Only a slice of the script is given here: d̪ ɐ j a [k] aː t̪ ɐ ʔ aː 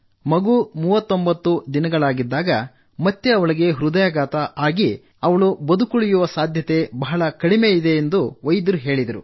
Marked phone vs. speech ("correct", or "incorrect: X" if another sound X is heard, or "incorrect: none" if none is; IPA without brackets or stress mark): incorrect: ɡ